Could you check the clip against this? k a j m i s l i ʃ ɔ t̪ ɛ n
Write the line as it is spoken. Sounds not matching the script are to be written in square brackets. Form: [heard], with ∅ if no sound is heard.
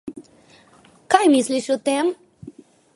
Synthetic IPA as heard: k a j m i s l i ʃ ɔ t̪ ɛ [m]